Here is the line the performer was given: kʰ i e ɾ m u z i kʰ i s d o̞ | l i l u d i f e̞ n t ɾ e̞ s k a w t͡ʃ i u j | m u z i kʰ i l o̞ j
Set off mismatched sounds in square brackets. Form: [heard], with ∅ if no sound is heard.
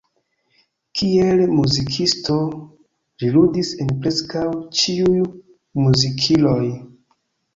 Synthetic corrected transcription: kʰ i e [l] m u z i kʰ i s [t] o̞ | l i l u d i [s] e̞ n [p] ɾ e̞ s k a w t͡ʃ i u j | m u z i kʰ i l o̞ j